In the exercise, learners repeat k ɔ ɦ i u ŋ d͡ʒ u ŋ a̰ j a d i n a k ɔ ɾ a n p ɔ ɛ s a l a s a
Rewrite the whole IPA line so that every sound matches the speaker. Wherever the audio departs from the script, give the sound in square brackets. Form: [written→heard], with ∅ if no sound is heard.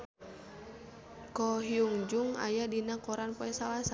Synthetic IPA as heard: k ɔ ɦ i u ŋ d͡ʒ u ŋ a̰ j a d i n a k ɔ ɾ a n p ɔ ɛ s a l a s a